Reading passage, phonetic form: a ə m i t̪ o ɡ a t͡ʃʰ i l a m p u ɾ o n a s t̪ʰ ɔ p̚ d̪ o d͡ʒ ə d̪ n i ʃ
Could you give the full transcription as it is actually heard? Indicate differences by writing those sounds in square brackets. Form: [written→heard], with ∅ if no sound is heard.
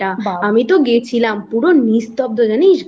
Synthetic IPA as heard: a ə m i t̪ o ɡ [a→e] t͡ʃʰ i l a m p u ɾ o n [a→i] s [t̪ʰ→t̪] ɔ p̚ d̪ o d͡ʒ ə [d̪→∅] n i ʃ